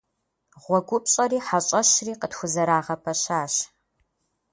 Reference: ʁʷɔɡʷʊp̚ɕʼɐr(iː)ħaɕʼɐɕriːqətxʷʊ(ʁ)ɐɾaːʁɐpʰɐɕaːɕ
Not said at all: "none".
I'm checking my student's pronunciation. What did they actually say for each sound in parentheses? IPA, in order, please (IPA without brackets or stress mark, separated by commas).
iː, z